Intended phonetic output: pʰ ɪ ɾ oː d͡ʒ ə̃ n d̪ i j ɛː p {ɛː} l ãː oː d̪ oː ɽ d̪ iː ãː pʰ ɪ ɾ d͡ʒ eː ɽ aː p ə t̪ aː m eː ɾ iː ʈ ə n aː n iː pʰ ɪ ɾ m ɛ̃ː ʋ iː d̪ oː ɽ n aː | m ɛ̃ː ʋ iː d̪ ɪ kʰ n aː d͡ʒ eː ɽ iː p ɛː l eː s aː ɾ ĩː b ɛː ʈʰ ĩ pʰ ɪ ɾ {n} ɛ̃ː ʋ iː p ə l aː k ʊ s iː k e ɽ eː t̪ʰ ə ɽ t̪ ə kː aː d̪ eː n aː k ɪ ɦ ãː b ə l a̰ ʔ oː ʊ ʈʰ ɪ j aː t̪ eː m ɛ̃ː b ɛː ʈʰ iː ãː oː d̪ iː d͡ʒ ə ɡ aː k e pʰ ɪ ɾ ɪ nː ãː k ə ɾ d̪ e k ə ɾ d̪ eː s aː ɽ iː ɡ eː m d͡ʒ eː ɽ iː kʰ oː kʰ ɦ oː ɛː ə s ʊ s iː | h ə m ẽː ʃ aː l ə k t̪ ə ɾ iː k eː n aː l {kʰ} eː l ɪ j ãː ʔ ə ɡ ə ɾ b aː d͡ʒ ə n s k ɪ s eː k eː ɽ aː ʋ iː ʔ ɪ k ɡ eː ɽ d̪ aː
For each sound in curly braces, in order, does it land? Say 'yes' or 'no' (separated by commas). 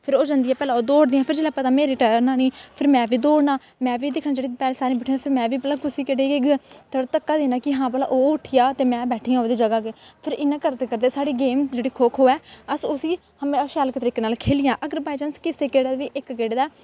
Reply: yes, no, yes